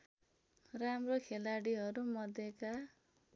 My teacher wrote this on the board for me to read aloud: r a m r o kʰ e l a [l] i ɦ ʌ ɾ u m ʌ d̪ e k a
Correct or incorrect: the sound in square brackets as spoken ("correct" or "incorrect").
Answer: incorrect